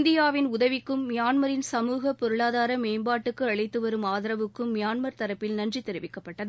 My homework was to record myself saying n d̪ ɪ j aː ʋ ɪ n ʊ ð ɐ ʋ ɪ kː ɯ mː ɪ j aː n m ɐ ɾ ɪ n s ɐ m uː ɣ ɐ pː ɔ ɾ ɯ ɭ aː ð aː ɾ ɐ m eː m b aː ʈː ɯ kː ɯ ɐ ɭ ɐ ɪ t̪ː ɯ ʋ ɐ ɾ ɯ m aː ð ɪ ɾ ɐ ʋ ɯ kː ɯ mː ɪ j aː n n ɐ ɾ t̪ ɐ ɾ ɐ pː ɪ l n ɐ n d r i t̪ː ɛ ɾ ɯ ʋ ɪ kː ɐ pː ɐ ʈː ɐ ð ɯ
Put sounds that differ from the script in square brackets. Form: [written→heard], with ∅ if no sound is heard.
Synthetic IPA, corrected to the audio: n d̪ ɪ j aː ʋ ɪ n ʊ ð ɐ ʋ ɪ kː ɯ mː ɪ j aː n m ɐ ɾ ɪ n s ɐ m uː ɣ ɐ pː ɔ ɾ ɯ ɭ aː ð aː ɾ ɐ m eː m b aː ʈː ɯ kː ɯ ɐ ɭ ɐ ɪ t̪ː ɯ ʋ ɐ ɾ ɯ m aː ð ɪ ɾ ɐ ʋ ɯ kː ɯ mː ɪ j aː n [n→m] ɐ ɾ t̪ ɐ ɾ ɐ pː ɪ l n ɐ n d r i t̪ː ɛ ɾ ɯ ʋ ɪ kː ɐ pː ɐ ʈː ɐ ð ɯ